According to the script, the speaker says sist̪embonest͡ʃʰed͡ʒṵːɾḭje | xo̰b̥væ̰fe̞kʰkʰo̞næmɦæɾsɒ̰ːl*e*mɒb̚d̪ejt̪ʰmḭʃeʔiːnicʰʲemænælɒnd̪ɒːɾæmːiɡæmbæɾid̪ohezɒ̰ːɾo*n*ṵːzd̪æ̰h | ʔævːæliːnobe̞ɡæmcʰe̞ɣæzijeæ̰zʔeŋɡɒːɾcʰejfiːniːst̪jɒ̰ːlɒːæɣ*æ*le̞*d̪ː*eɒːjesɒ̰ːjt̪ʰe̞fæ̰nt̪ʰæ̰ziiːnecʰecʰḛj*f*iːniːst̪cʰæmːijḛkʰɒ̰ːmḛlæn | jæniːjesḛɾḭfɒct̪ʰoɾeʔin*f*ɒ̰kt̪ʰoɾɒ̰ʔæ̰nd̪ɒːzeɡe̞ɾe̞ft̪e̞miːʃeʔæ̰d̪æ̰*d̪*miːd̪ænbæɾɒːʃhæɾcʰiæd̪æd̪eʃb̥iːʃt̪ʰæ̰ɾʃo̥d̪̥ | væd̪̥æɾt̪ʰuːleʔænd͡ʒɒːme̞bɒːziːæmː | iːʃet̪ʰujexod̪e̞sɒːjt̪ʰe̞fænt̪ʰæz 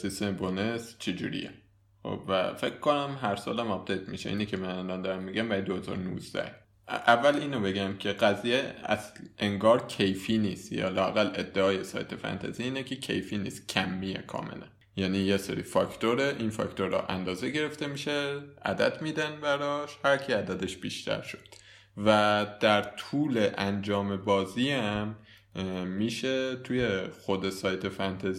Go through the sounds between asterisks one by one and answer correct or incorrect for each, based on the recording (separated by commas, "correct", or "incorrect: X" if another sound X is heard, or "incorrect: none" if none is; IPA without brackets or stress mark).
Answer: incorrect: æ, correct, correct, correct, correct, correct, correct